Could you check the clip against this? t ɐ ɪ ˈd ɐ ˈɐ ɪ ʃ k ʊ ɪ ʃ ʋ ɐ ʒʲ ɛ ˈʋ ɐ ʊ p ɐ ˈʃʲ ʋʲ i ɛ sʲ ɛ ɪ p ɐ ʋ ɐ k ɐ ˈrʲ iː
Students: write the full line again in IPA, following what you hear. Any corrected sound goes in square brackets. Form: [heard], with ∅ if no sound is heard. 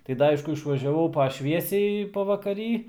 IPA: t ɐ ɪ ˈd ɐ ˈɐ ɪ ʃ k ʊ ɪ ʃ ʋ ɐ ʒʲ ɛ ˈʋ ɐ ʊ p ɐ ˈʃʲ ʋʲ i ɛ sʲ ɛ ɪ p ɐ ʋ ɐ k ɐ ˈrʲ iː